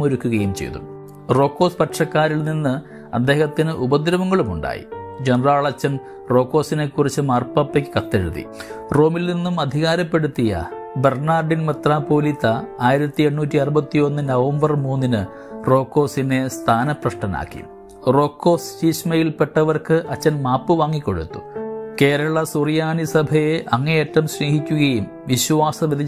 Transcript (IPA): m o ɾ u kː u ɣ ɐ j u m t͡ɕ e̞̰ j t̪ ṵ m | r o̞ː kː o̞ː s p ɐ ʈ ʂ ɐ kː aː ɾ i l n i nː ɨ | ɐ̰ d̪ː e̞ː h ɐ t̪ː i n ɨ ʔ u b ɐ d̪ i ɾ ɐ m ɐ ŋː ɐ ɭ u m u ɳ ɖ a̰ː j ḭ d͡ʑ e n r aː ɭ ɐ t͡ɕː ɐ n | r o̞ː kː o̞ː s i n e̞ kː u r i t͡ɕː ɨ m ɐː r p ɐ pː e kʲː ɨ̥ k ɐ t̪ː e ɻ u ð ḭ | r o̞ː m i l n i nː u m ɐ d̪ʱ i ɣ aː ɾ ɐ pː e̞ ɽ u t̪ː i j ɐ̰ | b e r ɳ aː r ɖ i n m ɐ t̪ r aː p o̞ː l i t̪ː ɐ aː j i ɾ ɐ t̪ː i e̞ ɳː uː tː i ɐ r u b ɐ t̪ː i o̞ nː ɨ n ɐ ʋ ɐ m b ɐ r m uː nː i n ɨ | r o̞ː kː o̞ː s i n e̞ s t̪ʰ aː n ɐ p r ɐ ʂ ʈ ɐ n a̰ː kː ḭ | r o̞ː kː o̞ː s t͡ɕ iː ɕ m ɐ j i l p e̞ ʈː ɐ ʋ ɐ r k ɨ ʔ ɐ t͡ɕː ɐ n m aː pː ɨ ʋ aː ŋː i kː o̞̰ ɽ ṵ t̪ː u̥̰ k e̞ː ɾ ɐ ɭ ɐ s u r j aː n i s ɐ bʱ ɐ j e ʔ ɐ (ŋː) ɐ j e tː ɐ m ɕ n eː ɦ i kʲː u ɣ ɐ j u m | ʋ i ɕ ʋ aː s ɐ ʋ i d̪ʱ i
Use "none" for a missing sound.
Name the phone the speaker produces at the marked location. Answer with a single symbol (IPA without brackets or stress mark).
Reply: ŋː